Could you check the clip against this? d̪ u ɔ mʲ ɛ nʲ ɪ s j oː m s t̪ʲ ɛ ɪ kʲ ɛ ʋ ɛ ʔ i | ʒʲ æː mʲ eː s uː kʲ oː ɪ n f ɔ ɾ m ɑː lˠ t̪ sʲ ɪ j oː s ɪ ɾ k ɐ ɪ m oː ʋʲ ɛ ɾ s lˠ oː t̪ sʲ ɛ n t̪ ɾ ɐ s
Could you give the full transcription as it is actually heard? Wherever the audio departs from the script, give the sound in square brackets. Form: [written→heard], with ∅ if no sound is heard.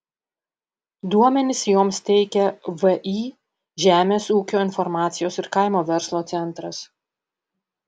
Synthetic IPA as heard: d̪ u ɔ mʲ ɛ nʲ ɪ s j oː m s t̪ʲ ɛ ɪ kʲ ɛ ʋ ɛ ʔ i | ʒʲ æː mʲ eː s uː kʲ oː ɪ n f ɔ ɾ m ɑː [lˠ→∅] t̪ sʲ ɪ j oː s ɪ ɾ k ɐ ɪ m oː ʋʲ ɛ ɾ s lˠ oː t̪ sʲ ɛ n t̪ ɾ ɐ s